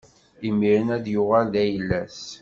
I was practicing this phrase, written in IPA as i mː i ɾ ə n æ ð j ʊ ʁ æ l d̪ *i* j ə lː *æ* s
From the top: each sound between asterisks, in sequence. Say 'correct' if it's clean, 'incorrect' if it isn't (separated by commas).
incorrect, correct